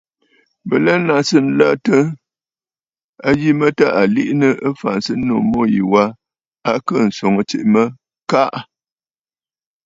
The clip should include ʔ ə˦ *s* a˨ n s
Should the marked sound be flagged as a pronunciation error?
yes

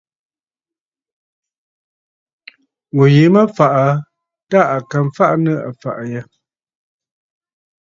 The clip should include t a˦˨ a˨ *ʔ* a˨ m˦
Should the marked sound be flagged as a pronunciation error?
yes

